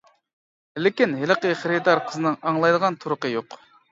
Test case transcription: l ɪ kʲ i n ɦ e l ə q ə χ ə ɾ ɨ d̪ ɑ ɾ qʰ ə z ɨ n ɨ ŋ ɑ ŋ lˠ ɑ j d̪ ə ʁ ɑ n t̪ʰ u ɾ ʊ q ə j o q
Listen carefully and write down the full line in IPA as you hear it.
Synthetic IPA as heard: l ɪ kʲ i n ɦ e l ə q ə χ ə ɾ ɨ d̪ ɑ ɾ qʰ ə z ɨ n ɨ ŋ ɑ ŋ lˠ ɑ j d̪ ə ʁ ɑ n t̪ʰ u ɾ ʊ q ə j o q